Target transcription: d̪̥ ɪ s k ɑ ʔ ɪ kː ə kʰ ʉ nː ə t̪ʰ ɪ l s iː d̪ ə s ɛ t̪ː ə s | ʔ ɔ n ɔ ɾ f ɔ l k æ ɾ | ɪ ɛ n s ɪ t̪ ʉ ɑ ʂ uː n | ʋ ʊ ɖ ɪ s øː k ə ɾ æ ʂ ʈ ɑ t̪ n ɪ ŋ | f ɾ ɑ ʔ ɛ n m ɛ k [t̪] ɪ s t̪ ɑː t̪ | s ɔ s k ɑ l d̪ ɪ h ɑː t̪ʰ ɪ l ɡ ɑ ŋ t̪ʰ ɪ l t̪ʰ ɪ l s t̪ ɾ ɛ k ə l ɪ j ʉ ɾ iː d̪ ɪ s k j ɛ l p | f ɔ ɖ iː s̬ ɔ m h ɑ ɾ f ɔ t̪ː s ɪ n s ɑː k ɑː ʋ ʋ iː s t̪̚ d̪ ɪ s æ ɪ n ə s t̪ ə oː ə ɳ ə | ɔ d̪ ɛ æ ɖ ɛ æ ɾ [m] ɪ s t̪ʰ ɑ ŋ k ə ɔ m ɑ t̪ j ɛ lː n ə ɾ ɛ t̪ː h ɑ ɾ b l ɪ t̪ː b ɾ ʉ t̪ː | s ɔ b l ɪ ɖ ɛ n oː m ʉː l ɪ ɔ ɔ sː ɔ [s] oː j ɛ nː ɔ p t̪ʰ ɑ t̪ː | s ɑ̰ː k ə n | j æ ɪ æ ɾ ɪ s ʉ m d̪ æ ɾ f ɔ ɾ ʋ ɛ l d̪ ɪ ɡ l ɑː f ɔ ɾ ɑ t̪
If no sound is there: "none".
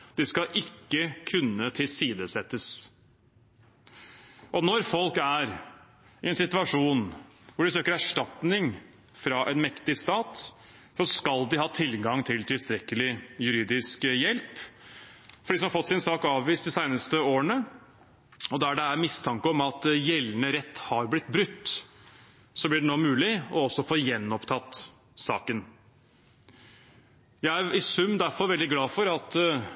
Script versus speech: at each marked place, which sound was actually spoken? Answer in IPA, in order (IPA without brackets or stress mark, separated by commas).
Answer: t̪, m, f